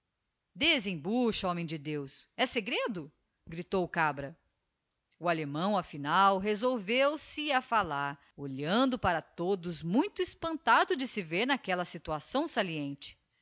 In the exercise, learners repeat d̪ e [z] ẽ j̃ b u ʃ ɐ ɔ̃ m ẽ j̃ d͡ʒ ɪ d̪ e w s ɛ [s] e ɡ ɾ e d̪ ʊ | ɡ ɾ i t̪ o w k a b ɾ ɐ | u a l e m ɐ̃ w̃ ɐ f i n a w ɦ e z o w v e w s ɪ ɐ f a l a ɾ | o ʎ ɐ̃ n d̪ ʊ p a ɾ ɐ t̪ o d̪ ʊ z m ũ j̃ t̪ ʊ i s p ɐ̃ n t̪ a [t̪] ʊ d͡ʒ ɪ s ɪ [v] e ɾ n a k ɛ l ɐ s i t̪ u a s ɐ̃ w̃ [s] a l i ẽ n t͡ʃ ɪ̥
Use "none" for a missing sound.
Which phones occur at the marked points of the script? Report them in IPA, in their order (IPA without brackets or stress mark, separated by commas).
z, s, d̪, v, s